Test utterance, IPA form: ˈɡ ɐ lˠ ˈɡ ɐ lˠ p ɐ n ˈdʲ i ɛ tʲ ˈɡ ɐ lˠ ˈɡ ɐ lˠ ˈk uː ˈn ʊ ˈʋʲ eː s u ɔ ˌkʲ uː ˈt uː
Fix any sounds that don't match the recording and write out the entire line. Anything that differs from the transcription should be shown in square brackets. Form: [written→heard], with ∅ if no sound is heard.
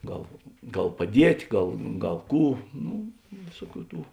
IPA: ˈɡ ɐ lˠ ˈɡ ɐ lˠ p ɐ [n→∅] ˈdʲ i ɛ tʲ ˈɡ ɐ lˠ ˈɡ ɐ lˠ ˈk uː ˈn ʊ ˈʋʲ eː s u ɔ ˌkʲ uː ˈt uː